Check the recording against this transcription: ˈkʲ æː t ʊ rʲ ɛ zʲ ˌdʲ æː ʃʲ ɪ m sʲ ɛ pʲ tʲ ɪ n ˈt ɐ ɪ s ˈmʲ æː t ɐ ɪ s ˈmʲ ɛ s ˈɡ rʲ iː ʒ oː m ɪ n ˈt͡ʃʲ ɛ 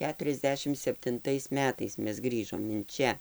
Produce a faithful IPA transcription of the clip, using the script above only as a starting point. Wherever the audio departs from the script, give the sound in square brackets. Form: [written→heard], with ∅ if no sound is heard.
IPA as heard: ˈkʲ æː t ʊ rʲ ɛ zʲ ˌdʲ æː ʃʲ ɪ m sʲ ɛ pʲ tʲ ɪ n ˈt ɐ ɪ s ˈmʲ æː t ɐ ɪ s ˈmʲ ɛ s ˈɡ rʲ iː ʒ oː m ɪ n ˈt͡ʃʲ ɛ